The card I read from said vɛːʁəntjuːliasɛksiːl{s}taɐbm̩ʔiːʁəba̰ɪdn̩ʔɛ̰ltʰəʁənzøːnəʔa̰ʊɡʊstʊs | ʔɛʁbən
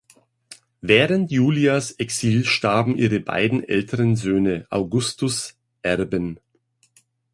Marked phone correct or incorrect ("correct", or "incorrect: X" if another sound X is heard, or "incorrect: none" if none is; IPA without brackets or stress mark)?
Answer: incorrect: ʃ